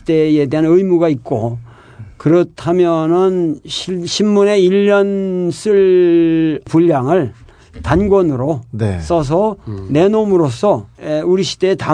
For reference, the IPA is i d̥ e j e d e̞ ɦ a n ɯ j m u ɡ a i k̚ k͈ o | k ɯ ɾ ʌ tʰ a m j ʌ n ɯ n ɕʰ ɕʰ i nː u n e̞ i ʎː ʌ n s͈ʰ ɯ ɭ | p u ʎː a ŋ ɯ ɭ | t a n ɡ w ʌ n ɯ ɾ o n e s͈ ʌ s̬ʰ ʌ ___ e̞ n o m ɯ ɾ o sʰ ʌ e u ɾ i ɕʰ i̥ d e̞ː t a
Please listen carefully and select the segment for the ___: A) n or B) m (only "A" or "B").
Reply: A